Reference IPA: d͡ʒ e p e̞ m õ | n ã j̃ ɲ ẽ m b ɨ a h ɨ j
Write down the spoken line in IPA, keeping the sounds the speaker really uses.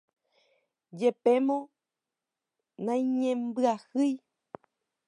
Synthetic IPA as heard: d͡ʒ e p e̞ m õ | n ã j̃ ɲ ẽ m b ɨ a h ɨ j